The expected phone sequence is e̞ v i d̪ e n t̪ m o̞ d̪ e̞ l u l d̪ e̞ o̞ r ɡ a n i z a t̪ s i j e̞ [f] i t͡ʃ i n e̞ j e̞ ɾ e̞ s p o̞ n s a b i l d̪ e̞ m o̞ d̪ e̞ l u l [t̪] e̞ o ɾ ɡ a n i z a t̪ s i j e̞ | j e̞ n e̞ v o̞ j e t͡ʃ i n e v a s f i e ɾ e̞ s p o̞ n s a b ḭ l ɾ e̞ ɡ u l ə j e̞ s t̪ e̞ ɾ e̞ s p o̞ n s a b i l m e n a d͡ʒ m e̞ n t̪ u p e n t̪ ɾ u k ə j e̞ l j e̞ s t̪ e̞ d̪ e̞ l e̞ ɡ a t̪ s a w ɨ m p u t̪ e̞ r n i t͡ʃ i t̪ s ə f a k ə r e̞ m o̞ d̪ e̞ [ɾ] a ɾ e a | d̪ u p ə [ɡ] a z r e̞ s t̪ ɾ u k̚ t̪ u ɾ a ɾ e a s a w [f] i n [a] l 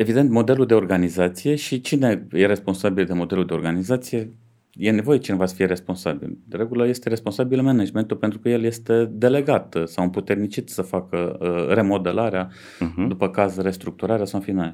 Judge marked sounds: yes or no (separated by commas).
no, no, no, no, yes, yes